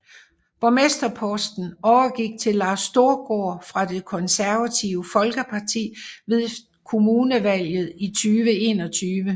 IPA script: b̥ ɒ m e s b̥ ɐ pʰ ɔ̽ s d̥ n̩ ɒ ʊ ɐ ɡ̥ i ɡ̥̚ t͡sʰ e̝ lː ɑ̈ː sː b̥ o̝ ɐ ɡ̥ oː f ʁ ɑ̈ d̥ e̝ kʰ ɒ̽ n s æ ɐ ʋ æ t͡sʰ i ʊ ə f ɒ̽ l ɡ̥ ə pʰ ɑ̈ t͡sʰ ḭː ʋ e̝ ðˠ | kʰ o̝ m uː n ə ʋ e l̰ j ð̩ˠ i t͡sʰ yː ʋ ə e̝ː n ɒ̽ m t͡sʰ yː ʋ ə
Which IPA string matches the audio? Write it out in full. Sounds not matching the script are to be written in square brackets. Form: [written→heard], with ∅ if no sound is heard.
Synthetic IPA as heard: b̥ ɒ m e s [b̥→d̥] ɐ pʰ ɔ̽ s d̥ n̩ ɒ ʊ ɐ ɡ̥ i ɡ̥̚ t͡sʰ e̝ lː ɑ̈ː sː [b̥→d̥] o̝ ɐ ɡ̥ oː f ʁ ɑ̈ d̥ e̝ kʰ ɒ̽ n s æ ɐ ʋ æ t͡sʰ i ʊ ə f ɒ̽ l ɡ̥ ə pʰ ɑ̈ t͡sʰ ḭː ʋ e̝ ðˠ | kʰ o̝ m uː n ə ʋ [e→æ] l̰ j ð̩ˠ i t͡sʰ yː ʋ ə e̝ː n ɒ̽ [m→∅] t͡sʰ yː ʋ ə